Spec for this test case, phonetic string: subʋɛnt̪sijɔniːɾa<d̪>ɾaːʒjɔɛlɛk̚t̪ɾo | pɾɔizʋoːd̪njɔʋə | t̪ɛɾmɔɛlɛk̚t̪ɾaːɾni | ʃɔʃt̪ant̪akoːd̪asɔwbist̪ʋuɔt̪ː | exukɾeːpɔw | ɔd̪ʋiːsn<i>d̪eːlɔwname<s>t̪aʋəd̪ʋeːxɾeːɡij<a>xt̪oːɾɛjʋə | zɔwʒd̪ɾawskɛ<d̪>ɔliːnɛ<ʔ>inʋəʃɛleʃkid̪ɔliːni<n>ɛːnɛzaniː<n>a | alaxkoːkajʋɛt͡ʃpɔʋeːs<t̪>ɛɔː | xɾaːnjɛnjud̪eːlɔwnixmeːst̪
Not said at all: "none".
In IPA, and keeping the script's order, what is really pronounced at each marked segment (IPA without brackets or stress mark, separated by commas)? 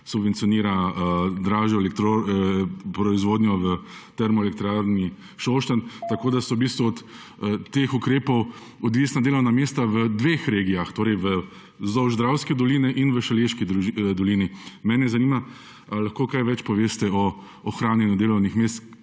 d̪, a, s, a, d̪, ʔ, m, m, t̪